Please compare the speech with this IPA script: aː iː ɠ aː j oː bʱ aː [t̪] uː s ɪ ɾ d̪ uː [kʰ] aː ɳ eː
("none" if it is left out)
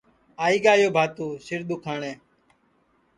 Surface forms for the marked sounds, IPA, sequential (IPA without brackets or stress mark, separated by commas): t̪, kʰ